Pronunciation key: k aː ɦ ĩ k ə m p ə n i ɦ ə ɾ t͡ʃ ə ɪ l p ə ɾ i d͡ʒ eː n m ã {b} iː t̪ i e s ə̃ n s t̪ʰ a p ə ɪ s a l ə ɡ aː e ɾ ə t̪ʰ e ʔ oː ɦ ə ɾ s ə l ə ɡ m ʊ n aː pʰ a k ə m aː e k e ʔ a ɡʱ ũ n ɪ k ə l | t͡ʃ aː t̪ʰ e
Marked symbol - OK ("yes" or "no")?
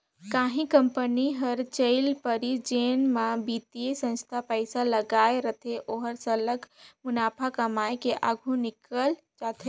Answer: yes